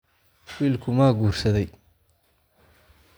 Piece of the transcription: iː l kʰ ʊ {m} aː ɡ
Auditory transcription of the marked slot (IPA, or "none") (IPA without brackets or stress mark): m